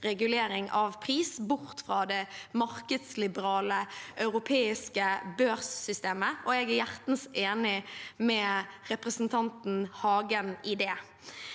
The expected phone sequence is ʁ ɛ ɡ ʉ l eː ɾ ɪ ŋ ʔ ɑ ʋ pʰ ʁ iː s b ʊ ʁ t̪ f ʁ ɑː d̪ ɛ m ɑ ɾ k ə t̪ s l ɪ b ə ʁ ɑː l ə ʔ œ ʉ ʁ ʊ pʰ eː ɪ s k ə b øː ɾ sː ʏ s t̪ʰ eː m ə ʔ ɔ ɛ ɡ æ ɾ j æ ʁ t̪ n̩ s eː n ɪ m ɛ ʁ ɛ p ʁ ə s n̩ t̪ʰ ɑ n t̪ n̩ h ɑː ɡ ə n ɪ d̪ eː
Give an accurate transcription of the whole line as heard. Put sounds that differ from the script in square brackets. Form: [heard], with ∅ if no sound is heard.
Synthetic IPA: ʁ ɛ ɡ ʉ l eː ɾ ɪ ŋ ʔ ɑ ʋ pʰ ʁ iː s b ʊ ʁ t̪ f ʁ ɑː d̪ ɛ m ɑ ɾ k ə [d̪] s l ɪ b ə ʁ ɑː l ə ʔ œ ʉ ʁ ʊ pʰ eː ɪ s k ə b øː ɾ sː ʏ s [t̪] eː m ə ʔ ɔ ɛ ɡ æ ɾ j æ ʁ t̪ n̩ s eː n ɪ m ɛ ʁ ɛ p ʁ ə s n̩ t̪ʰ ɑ n t̪ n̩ h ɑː ɡ ə n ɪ d̪ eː